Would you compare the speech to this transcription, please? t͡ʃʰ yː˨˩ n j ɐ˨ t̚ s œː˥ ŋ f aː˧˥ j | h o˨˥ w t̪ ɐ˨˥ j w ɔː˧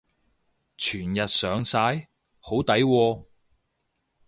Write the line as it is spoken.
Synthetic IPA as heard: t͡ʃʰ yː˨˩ n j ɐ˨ t̚ s œː˨˧ ŋ s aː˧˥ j | h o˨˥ w t̪ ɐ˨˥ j w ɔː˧